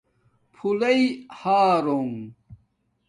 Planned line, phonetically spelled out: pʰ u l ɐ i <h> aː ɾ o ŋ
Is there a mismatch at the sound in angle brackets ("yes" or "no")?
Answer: no